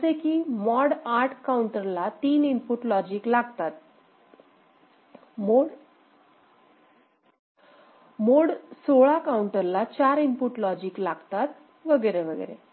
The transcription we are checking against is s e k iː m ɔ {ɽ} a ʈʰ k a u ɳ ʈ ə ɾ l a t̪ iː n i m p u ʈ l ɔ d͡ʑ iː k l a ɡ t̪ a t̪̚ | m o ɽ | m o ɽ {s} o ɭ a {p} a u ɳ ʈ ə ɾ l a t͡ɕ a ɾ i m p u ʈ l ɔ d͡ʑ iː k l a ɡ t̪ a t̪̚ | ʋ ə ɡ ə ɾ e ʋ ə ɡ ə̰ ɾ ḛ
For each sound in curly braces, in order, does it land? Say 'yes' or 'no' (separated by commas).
yes, yes, no